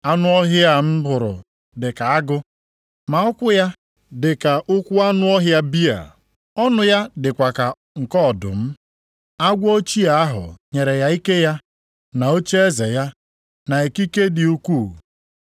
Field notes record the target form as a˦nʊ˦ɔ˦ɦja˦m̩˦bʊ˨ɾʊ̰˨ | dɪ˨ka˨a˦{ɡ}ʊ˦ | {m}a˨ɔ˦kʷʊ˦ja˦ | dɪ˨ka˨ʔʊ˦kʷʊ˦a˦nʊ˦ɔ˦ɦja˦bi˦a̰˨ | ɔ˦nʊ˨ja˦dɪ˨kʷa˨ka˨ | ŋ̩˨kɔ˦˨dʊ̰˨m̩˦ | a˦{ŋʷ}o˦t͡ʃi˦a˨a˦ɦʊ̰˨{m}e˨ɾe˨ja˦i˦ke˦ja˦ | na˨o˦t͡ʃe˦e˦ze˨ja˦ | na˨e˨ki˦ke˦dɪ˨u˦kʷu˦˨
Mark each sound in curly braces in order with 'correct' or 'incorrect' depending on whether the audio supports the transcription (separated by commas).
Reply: correct, correct, incorrect, incorrect